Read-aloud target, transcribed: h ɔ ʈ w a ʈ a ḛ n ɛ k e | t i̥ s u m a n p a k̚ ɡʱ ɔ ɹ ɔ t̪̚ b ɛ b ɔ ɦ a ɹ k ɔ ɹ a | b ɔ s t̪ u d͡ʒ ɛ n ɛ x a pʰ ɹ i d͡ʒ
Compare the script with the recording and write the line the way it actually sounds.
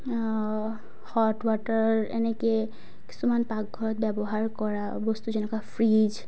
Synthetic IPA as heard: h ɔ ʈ w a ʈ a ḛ n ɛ k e | k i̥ s u m a n p a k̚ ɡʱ ɔ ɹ ɔ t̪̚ b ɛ b ɔ ɦ a ɹ k ɔ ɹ a | b ɔ s t̪ u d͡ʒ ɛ n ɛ k a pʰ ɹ i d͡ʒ